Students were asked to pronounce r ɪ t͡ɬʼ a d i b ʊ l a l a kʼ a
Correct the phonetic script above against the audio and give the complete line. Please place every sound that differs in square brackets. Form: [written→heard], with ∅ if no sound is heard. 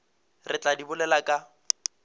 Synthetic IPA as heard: r ɪ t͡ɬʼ a d i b ʊ l [a→ɛ] l a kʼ a